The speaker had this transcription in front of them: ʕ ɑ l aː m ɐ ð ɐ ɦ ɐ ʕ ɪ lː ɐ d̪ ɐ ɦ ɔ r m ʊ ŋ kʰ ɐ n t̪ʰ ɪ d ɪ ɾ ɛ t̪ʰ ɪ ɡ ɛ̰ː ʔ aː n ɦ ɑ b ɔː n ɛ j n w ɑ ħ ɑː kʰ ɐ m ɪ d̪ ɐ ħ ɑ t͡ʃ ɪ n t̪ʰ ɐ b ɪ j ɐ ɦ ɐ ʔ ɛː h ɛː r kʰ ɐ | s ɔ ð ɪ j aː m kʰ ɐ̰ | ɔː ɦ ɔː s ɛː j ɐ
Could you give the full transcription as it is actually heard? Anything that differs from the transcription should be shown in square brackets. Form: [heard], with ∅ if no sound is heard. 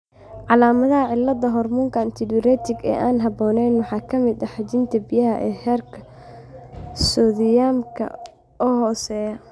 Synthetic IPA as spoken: ʕ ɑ l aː m ɐ ð ɐ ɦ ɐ ʕ ɪ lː ɐ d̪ ɐ ɦ ɔ r m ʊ ŋ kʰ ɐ n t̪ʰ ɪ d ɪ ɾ ɛ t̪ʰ ɪ ɡ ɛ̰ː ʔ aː n ɦ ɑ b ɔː n ɛ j n w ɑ ħ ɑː kʰ ɐ m ɪ d̪ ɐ ħ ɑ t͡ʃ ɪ n t̪ʰ ɐ b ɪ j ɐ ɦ ɐ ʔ ɛː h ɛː r kʰ ɐ | s ɔ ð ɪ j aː m kʰ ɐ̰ | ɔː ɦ ɔː s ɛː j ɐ